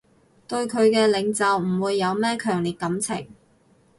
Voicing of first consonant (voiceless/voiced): voiceless